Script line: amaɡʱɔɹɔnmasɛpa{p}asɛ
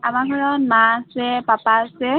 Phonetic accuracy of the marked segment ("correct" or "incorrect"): correct